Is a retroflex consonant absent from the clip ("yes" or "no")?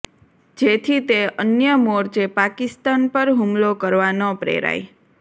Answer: yes